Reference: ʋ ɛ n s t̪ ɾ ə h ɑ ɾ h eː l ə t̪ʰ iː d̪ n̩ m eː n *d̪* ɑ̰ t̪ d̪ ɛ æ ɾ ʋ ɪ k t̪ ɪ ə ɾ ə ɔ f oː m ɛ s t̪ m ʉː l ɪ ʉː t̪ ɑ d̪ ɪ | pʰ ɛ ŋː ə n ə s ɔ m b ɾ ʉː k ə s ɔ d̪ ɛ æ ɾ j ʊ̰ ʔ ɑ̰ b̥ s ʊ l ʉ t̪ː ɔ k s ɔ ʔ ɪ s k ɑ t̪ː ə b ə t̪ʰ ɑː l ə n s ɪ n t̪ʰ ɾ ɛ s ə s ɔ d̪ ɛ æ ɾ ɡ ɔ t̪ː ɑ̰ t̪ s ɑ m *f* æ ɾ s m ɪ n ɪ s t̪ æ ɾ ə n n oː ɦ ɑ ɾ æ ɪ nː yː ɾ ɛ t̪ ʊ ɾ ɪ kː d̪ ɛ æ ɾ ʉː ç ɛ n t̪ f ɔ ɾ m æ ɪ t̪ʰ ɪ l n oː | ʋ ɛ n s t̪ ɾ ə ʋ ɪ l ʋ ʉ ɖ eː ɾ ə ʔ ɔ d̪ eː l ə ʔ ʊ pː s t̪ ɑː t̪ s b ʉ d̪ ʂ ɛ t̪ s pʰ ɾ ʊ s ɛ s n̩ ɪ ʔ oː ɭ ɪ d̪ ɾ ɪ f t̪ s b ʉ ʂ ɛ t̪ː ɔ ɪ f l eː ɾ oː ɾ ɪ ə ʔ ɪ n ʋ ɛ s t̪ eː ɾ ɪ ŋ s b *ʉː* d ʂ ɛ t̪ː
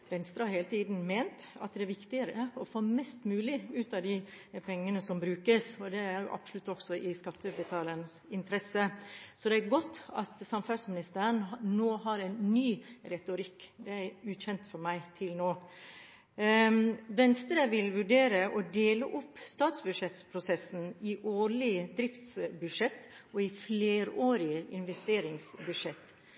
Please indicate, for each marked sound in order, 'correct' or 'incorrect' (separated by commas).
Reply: incorrect, correct, incorrect